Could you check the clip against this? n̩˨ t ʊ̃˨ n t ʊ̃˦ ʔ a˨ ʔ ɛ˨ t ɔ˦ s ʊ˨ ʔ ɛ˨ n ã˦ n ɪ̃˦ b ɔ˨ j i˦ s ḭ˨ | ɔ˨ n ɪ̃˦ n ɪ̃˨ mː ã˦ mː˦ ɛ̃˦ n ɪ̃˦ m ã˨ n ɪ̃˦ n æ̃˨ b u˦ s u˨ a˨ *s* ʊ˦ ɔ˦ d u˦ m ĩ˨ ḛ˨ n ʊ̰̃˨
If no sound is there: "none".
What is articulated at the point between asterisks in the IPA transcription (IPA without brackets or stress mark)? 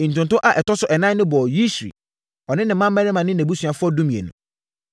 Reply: f